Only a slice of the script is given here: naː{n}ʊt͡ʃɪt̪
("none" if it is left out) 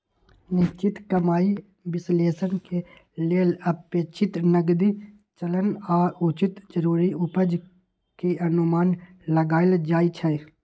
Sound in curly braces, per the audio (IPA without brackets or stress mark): none